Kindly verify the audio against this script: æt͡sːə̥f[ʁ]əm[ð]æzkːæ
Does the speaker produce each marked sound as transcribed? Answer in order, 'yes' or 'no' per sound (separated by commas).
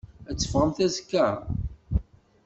yes, no